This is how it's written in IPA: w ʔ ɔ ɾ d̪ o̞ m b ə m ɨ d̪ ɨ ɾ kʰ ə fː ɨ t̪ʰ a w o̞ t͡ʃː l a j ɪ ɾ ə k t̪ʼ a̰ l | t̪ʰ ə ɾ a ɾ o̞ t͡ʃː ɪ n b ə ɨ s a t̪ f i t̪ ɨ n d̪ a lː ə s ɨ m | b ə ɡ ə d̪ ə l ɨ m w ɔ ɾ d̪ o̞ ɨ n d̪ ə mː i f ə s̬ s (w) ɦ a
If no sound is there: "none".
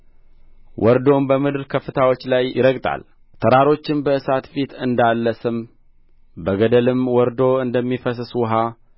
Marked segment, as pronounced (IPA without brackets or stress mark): w